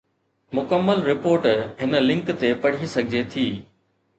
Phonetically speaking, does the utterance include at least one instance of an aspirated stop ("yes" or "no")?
yes